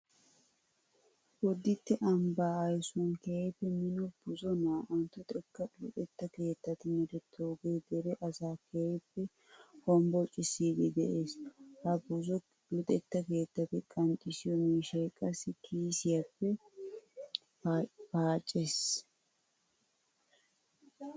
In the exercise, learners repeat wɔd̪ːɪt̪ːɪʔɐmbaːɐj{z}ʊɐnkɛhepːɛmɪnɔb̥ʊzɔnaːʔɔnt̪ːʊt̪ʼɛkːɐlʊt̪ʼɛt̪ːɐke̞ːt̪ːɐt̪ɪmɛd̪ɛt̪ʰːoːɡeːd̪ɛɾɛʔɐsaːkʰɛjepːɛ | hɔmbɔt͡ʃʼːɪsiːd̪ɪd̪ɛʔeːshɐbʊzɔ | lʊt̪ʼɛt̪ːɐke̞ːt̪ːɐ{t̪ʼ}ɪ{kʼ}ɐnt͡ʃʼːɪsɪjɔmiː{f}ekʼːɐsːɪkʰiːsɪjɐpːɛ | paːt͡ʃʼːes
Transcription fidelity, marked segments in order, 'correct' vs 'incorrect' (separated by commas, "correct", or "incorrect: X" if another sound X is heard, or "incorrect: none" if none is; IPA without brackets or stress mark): incorrect: s, incorrect: t̪, correct, incorrect: ʃ